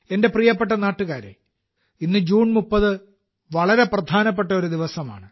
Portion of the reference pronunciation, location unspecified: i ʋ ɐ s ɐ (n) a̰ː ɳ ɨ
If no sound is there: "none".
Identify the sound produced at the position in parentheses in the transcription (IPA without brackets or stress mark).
m